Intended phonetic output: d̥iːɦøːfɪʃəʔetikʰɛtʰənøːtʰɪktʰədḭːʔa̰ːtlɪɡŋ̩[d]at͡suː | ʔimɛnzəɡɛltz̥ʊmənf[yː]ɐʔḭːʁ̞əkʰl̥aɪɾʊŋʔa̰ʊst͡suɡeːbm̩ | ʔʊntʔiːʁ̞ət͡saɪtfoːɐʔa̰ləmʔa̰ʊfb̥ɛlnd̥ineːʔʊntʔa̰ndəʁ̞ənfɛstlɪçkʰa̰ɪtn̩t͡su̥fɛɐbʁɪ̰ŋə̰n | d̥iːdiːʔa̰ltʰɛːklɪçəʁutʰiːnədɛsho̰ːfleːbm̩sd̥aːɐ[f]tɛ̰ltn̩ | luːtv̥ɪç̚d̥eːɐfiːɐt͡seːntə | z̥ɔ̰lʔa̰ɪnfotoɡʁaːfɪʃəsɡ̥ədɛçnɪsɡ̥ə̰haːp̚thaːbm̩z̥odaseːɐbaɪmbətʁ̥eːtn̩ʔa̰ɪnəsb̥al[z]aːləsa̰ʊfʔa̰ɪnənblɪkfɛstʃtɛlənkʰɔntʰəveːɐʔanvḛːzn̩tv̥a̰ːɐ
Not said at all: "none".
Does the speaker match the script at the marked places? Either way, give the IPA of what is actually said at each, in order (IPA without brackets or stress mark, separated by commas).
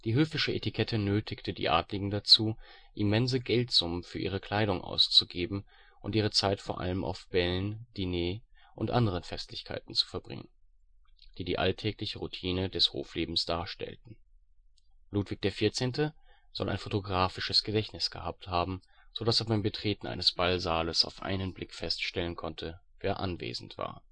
d, yː, ʃ, z